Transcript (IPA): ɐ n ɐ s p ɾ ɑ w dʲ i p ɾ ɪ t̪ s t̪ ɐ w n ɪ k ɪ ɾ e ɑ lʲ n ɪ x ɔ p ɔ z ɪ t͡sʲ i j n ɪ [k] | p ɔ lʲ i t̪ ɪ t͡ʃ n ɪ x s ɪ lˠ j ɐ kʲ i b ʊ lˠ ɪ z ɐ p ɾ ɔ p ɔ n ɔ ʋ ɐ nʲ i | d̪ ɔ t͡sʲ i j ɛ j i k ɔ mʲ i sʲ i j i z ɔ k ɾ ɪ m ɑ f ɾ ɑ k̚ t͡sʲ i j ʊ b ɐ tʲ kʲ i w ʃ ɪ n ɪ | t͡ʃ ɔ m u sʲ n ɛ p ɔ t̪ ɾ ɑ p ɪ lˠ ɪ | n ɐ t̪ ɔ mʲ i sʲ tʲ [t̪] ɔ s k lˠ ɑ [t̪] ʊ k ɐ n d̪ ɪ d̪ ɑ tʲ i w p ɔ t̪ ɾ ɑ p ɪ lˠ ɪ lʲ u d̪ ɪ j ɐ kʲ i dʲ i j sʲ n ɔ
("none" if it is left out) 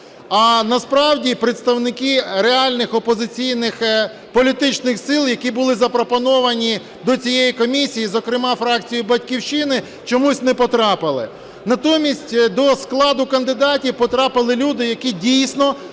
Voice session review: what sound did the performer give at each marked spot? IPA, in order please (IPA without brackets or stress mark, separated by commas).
x, d̪, d̪